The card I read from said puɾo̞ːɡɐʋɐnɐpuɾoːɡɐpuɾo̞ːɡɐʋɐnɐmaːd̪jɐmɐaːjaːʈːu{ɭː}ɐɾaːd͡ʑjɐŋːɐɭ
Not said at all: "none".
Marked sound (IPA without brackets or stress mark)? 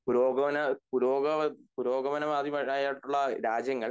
ɭː